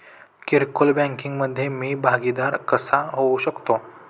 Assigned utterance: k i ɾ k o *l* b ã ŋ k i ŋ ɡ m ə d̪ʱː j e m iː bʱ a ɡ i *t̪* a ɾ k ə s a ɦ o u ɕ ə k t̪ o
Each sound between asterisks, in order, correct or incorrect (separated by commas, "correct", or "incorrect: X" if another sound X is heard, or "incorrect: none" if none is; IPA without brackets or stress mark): correct, incorrect: d̪